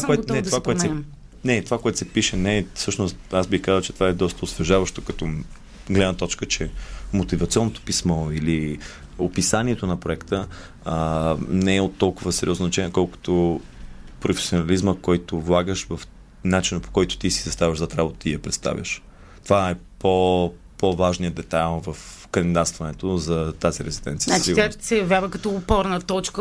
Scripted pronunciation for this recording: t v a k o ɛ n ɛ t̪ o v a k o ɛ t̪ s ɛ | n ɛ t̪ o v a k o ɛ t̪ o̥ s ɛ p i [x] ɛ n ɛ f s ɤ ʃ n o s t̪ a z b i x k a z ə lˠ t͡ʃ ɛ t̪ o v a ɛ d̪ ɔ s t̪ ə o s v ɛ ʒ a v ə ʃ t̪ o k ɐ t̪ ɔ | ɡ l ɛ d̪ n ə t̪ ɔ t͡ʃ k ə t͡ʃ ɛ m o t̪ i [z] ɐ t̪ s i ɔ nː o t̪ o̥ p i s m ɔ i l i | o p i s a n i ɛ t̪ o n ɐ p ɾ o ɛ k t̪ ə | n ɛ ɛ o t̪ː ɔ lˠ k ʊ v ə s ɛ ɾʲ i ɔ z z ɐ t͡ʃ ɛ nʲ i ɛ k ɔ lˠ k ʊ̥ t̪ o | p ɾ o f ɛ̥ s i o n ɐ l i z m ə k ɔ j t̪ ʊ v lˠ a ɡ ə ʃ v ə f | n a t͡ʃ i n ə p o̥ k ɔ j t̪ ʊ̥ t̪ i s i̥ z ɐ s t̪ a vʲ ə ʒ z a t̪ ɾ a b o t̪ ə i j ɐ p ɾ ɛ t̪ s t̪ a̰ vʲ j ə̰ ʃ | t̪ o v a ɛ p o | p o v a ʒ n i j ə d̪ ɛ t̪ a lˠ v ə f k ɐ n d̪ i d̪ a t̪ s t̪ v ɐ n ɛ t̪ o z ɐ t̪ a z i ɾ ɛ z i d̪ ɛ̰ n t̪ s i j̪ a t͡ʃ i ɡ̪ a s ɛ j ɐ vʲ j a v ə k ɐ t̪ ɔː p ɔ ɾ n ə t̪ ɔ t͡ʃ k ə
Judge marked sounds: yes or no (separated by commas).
no, no